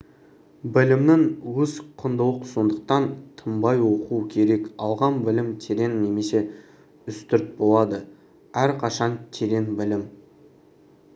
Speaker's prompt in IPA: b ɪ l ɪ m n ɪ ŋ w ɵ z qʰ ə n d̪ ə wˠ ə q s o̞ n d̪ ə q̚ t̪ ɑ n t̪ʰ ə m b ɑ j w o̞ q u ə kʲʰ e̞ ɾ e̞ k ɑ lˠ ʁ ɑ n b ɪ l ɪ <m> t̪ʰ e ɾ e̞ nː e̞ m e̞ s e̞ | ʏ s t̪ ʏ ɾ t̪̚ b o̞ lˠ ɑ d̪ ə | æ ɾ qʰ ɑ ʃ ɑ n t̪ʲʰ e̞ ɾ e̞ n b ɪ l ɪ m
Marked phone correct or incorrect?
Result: correct